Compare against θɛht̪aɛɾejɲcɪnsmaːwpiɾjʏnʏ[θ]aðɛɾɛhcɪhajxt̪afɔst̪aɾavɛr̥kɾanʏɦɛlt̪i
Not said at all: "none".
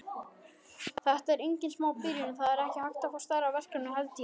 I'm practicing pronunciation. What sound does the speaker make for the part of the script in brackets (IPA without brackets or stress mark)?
θ